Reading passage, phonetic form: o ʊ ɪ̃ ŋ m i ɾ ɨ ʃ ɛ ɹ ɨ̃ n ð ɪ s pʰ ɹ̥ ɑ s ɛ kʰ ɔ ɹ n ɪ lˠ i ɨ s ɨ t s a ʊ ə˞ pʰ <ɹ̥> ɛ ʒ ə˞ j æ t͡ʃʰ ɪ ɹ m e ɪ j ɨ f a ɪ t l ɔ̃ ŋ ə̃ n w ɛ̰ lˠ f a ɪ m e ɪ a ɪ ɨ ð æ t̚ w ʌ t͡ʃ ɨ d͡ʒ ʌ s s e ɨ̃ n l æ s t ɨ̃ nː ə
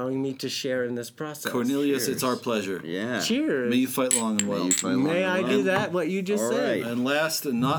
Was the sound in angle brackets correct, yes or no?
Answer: no